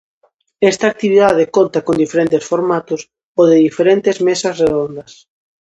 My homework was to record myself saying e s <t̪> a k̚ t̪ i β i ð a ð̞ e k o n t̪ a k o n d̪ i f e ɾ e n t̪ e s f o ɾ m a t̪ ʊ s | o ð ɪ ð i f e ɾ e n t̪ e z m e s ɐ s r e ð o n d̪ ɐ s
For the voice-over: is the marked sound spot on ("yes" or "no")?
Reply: yes